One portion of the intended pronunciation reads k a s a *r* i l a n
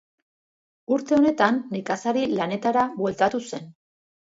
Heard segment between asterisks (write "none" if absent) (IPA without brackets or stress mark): ɾ